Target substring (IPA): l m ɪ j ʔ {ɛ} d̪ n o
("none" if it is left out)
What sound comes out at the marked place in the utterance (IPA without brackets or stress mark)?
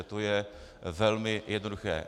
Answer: ɛ